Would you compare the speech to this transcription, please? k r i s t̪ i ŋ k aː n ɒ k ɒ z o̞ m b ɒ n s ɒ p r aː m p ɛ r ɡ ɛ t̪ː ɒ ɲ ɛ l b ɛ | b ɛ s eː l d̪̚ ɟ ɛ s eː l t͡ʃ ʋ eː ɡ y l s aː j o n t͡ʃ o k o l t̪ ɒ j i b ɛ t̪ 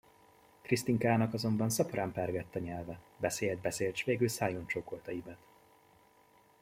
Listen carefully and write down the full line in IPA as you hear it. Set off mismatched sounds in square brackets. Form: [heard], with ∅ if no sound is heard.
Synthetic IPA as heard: k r i s t̪ i ŋ k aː n ɒ k ɒ z o̞ m b ɒ n s ɒ p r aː m p ɛ r ɡ ɛ t̪ː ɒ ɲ ɛ l [v] ɛ | b ɛ s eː l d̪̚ [b] ɛ s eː l t͡ʃ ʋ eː ɡ y l s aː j o n t͡ʃ o k o l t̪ ɒ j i b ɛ t̪